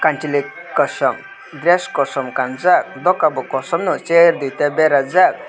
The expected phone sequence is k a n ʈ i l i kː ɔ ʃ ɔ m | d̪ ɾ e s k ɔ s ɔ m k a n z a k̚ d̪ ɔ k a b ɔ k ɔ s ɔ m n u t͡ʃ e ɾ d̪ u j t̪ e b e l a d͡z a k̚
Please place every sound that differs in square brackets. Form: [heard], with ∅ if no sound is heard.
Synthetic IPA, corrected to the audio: k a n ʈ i l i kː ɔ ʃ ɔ m | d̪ ɾ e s k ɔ s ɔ m k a n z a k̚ d̪ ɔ k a b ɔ k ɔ s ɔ m n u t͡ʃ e ɾ d̪ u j t̪ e b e [ɾ] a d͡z a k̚